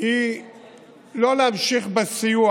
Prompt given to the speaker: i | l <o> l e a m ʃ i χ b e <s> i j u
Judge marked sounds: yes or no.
yes, yes

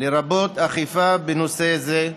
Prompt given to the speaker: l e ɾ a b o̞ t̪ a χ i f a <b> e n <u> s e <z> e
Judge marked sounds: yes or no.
yes, no, yes

